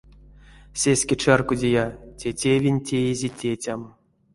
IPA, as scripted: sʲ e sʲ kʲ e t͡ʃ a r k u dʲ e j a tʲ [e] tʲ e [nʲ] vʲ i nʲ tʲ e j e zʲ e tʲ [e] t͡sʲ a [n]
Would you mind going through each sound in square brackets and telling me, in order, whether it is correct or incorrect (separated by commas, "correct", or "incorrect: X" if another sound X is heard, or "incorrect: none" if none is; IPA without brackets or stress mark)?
correct, incorrect: none, correct, incorrect: m